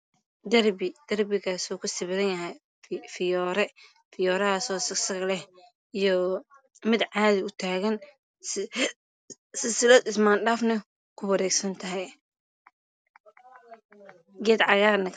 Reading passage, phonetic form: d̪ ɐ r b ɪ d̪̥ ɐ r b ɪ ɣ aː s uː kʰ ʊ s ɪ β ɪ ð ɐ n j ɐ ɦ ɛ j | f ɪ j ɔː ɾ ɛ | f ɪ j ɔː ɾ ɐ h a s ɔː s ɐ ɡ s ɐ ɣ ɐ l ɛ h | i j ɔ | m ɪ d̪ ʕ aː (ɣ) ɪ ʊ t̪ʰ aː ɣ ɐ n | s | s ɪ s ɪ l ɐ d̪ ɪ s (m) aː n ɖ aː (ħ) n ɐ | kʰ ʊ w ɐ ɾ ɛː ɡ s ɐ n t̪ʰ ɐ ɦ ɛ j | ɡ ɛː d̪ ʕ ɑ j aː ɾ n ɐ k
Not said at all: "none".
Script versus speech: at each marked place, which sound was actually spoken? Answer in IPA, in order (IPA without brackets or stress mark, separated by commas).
ð, m, f